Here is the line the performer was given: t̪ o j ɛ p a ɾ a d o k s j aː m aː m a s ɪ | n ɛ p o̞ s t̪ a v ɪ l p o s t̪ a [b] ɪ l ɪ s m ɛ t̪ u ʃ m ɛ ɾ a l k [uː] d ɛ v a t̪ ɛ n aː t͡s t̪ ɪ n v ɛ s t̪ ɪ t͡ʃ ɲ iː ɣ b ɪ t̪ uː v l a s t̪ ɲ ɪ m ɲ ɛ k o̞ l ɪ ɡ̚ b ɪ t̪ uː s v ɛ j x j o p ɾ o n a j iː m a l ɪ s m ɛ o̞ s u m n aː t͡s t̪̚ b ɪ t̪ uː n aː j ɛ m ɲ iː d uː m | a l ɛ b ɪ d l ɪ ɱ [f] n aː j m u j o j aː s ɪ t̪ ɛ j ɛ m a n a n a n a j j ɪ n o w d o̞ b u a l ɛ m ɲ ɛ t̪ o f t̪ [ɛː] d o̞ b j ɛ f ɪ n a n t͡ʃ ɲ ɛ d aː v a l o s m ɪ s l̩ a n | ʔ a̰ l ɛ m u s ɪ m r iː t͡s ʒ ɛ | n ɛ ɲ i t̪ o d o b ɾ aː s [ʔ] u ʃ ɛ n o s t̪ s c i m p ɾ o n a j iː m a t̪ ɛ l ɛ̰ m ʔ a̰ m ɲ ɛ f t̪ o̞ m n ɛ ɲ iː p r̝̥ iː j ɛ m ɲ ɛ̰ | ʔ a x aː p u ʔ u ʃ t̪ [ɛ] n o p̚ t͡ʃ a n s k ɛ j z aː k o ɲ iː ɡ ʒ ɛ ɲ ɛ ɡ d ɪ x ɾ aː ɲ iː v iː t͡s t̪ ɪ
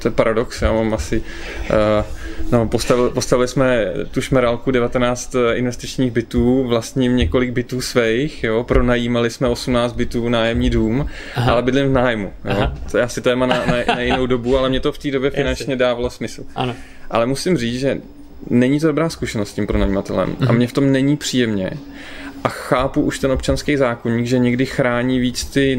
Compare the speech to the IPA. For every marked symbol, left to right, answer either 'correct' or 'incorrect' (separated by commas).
incorrect, incorrect, incorrect, incorrect, incorrect, correct